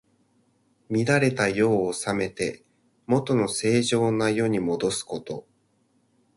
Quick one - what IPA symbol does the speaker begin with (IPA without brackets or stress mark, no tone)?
mʲ